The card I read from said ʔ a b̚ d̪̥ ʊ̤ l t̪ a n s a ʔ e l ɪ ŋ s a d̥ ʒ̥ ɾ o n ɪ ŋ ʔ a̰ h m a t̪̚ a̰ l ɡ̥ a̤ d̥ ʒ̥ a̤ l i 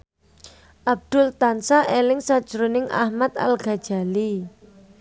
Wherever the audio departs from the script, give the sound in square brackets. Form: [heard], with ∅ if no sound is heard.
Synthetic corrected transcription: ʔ a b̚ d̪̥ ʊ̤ l t̪ a n s a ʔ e l ɪ ŋ s a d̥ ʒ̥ ɾ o n ɪ ŋ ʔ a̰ h m a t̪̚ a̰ l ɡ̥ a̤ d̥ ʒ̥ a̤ l i

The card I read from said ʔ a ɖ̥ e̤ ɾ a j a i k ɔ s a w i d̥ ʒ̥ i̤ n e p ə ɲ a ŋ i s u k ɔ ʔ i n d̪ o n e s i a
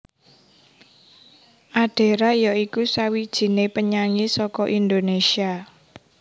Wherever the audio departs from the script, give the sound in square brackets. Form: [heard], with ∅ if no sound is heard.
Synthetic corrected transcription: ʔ a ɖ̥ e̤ ɾ a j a i k [u] s a w i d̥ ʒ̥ i̤ n e p ə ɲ a ŋ i s [ɔ] k ɔ ʔ i n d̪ o n e s i a

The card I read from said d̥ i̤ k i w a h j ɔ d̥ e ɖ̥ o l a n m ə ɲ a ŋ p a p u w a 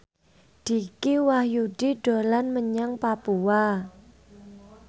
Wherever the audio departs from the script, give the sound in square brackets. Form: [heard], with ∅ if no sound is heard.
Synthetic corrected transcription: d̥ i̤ k i w a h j [u] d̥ [i] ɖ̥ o l a n m ə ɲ a ŋ p a p u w a

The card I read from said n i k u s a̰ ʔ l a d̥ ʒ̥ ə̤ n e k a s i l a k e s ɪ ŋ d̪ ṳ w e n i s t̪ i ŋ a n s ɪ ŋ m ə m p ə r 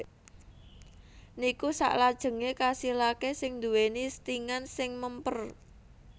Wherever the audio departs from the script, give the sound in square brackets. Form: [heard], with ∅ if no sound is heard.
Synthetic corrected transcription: n i k u s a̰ ʔ l a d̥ ʒ̥ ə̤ [ŋ] e k a s i l a k e s ɪ ŋ d̪ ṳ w e n i s t̪ i ŋ a n s ɪ ŋ m ə m p ə r

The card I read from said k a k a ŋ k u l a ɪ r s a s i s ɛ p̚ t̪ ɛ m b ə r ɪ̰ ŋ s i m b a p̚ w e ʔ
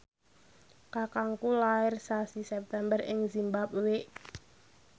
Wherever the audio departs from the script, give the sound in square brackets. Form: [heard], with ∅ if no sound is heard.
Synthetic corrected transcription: k a k a ŋ k u l a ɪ r s a s i s ɛ p̚ t̪ ɛ m b ə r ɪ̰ ŋ [z] i m b a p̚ w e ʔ

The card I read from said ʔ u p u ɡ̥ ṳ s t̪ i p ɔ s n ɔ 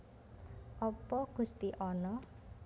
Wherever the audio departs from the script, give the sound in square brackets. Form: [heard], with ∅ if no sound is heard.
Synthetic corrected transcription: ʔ [ɔ] p [ɔ] ɡ̥ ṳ s t̪ i [ʔ] ɔ [∅] n ɔ

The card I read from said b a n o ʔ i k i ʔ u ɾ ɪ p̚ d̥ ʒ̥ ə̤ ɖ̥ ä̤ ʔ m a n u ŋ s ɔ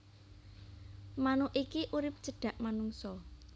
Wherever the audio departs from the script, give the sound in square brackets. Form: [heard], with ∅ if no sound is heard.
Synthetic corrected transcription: [m] a n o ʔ i k i ʔ u ɾ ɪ p̚ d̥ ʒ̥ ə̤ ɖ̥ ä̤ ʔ m a n u ŋ s ɔ

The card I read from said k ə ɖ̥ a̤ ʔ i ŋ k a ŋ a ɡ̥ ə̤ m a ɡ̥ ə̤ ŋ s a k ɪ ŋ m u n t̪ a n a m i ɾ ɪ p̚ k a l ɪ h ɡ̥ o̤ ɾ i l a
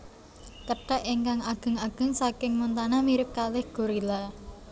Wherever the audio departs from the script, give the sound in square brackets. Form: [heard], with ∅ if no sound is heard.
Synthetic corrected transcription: k ə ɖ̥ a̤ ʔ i ŋ k a ŋ a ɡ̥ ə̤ [ŋ] a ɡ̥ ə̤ ŋ s a k ɪ ŋ m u n t̪ a n a m i ɾ ɪ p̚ k a l ɪ h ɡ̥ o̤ ɾ i l a

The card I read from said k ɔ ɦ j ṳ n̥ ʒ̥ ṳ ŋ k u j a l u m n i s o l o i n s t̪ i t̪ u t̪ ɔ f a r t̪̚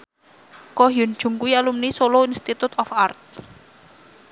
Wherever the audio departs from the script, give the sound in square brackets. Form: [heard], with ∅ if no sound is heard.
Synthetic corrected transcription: k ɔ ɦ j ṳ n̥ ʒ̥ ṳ ŋ k u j a l u m n i s o l o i n s t̪ i t̪ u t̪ ɔ f a r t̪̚

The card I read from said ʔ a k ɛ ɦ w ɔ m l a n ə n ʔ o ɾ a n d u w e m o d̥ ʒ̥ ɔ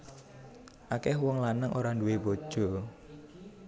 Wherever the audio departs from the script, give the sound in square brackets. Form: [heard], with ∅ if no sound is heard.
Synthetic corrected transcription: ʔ a k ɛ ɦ w ɔ [ŋ] l a n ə [ŋ] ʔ o ɾ a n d u w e [b] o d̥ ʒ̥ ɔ

